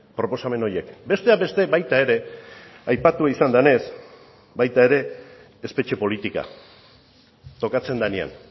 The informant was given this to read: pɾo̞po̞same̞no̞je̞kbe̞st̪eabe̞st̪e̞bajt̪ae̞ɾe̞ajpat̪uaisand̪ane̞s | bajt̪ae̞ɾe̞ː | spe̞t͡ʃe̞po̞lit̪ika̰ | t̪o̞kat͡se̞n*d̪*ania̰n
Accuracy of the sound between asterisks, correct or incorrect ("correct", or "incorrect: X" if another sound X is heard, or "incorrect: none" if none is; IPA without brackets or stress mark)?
correct